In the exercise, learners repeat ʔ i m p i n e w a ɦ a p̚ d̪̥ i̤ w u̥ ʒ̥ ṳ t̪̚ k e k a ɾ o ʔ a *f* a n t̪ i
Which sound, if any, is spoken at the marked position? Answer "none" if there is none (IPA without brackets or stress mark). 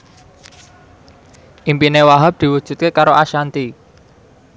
ʃ